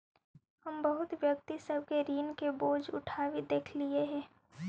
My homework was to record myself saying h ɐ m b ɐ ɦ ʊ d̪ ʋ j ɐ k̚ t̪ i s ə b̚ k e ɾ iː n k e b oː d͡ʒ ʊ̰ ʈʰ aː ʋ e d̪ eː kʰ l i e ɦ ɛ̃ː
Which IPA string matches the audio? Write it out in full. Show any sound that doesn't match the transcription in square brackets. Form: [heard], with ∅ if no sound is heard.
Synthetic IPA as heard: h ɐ m b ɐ ɦ ʊ [t̪] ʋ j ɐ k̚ t̪ i s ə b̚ k e ɾ iː n k e b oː d͡ʒ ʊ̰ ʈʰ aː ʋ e d̪ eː kʰ l i e ɦ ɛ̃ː